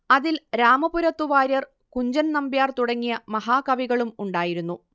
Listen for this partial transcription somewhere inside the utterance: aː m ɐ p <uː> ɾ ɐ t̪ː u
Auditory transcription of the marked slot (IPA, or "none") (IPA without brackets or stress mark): u